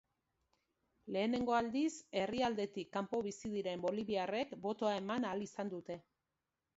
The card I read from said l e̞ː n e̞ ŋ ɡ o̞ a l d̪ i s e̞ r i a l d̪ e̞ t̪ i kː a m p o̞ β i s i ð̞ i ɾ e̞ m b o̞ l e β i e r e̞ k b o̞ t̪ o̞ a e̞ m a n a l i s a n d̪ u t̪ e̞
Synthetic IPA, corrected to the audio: l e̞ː n e̞ ŋ ɡ o̞ a l d̪ i s e̞ r i a l d̪ e̞ t̪ i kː a m p o̞ β i s i ð̞ i ɾ e̞ m b o̞ l i β i a r e̞ k b o̞ t̪ o̞ a e̞ m a n a l i s a n d̪ u t̪ e̞